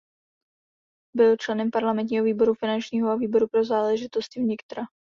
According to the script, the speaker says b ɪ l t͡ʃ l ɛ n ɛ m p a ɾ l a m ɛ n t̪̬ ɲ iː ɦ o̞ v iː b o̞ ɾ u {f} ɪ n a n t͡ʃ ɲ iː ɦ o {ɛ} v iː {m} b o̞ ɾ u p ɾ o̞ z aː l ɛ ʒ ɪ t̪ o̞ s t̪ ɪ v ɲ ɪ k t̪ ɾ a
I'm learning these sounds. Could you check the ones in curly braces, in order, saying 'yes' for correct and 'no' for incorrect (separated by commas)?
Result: yes, no, no